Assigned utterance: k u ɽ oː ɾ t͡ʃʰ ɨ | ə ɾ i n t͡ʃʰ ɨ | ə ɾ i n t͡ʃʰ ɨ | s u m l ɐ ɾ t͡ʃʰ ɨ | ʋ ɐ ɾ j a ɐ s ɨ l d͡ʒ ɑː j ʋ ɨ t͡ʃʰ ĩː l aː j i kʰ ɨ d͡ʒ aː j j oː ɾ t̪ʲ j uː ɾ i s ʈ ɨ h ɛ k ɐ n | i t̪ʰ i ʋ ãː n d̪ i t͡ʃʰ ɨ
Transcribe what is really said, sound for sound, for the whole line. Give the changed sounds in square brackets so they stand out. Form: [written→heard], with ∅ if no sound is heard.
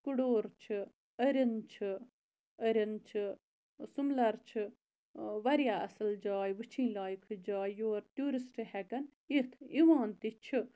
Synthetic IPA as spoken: k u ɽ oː ɾ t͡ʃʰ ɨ | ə ɾ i n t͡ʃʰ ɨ | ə ɾ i n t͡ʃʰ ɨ | s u m l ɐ ɾ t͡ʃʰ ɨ | ʋ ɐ ɾ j a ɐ s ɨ l d͡ʒ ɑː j ʋ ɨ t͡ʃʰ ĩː l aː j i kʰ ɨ d͡ʒ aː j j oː ɾ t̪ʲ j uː ɾ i s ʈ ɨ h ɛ k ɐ n | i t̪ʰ i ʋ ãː n [d̪→t̪] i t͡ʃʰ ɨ